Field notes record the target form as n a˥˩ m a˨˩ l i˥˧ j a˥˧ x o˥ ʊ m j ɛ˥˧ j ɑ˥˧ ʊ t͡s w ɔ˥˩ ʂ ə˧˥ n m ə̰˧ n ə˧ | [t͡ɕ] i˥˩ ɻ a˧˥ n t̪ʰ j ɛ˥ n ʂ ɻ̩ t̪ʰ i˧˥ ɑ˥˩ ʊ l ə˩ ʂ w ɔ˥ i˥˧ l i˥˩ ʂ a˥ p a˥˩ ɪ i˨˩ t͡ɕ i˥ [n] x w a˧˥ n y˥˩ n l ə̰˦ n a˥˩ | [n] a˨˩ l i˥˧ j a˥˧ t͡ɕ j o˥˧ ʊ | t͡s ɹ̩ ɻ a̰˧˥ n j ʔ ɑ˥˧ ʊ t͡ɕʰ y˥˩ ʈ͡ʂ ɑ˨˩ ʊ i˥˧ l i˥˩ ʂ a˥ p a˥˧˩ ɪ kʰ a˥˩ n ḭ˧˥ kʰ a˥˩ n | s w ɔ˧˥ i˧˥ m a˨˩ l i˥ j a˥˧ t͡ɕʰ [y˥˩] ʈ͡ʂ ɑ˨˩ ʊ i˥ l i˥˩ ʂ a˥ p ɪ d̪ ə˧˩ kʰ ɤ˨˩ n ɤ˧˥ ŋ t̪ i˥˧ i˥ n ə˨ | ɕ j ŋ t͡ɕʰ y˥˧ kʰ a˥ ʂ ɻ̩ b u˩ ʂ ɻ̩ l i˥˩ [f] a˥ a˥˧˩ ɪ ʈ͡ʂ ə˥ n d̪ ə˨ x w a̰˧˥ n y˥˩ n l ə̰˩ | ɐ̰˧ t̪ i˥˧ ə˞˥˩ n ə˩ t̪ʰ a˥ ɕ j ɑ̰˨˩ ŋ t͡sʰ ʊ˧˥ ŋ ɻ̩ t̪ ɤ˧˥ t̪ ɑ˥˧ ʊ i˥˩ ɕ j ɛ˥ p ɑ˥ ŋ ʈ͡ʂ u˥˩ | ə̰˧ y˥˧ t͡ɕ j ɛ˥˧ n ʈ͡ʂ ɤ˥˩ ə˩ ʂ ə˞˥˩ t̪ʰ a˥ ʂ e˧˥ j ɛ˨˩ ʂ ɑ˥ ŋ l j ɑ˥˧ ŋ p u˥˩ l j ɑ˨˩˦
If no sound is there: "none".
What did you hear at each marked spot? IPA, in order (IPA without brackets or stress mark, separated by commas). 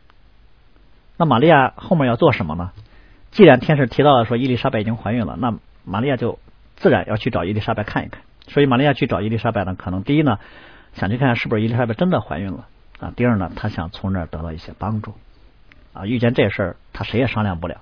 t͡ɕ, ŋ, m, y˥˩, ʂ